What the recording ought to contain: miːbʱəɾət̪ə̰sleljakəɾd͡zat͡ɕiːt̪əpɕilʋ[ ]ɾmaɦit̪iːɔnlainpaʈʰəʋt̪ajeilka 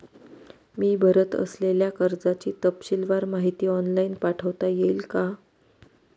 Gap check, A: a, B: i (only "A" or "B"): A